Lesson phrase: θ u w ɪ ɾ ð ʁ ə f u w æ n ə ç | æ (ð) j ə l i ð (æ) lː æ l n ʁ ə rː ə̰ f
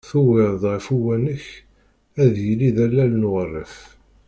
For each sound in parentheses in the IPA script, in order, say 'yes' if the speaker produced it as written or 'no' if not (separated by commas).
yes, yes